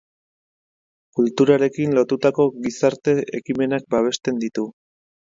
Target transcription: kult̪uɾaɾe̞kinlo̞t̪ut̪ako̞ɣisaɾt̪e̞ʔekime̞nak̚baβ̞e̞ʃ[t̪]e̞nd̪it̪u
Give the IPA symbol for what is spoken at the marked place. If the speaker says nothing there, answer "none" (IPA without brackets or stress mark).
t̪